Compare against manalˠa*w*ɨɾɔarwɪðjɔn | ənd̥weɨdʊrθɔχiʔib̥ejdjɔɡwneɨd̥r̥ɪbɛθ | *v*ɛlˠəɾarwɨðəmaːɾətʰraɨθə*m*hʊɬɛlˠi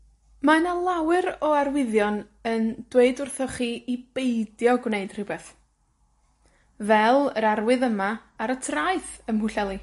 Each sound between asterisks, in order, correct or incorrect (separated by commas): correct, correct, correct